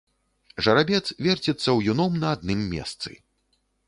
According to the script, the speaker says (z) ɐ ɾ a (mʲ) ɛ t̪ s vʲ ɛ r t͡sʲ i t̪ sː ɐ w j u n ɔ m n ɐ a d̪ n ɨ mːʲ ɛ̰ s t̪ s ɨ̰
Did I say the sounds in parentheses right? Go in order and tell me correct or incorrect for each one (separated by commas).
incorrect, incorrect